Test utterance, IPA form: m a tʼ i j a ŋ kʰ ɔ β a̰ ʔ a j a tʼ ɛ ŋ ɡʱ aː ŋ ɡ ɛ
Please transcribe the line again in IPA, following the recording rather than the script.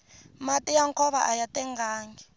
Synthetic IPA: m a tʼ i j a ŋ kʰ ɔ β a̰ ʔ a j a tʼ ɛ ŋ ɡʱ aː ŋ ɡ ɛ